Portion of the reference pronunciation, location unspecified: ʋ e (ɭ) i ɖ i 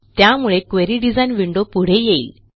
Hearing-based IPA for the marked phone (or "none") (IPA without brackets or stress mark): ɾ